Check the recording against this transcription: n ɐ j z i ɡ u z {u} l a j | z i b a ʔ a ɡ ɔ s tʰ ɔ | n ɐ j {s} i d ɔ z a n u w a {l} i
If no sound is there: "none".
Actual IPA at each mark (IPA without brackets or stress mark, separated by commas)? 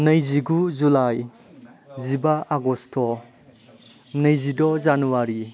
u, z, ɾ